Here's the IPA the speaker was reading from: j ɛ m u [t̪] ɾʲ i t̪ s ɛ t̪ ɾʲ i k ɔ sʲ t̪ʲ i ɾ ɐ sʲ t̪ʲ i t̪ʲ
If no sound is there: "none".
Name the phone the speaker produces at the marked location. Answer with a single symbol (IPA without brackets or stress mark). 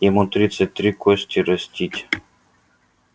t̪